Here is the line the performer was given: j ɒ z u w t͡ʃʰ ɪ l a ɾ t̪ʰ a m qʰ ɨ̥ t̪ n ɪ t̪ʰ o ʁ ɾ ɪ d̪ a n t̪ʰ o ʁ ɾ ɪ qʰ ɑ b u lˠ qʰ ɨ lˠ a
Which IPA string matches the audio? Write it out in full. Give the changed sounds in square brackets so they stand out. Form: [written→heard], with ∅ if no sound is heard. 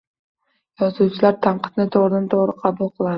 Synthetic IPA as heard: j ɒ z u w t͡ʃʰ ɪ l a ɾ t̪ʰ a [m→ɴ] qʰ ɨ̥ t̪ n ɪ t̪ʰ o ʁ ɾ ɪ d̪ a n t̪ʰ o ʁ ɾ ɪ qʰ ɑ b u lˠ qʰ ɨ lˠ a